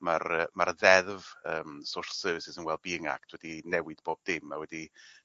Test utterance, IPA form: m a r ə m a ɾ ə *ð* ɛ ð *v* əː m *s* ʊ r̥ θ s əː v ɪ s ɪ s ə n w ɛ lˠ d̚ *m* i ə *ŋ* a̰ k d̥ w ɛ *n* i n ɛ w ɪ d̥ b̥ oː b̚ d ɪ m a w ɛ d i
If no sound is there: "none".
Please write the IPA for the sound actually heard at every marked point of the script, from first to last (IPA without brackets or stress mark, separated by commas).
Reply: ð, v, s, b, ŋ, d